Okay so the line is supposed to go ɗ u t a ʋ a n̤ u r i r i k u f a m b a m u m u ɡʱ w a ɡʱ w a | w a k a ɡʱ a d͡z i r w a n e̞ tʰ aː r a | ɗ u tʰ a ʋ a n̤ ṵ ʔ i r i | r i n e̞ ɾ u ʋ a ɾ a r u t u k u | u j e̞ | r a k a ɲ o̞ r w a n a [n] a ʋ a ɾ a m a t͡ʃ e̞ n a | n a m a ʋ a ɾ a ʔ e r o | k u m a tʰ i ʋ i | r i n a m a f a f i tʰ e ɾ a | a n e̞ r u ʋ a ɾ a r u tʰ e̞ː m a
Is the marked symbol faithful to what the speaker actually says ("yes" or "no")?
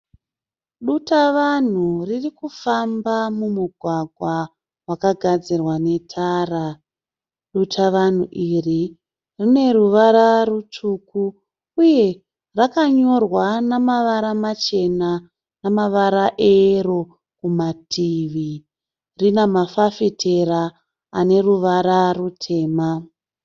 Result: no